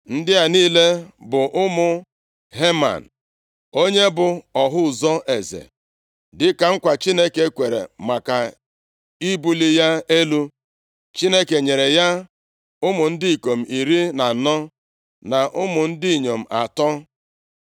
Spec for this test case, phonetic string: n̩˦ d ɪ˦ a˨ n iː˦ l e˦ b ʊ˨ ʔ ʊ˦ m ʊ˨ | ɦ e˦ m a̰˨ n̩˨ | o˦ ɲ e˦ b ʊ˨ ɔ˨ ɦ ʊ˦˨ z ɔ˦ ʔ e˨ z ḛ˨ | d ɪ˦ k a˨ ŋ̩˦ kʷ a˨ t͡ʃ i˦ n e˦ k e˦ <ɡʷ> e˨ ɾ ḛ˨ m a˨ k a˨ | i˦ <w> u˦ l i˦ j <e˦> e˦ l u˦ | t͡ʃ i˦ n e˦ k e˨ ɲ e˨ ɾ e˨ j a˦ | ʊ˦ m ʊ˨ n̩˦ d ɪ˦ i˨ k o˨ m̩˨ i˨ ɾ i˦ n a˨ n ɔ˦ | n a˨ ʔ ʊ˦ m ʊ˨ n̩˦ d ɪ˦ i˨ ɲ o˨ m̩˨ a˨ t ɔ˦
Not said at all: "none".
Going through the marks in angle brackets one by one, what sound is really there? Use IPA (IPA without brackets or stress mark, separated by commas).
kʷ, b, a˦